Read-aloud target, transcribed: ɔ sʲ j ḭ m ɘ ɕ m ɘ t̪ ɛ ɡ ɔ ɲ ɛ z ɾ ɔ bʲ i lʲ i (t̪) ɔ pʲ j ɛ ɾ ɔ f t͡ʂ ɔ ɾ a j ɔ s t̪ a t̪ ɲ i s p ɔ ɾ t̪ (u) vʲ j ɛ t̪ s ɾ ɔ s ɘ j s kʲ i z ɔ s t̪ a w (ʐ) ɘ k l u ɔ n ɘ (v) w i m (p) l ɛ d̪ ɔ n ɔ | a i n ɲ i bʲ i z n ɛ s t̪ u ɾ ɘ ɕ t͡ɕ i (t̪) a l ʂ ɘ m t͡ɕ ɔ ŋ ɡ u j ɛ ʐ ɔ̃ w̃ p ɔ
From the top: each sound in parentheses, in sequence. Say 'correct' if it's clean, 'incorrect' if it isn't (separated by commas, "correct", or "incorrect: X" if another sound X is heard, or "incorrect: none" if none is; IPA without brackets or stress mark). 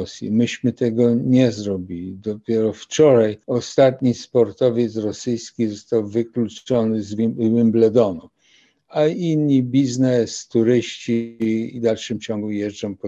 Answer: incorrect: d̪, incorrect: ɔ, incorrect: v, incorrect: z, incorrect: b, incorrect: d̪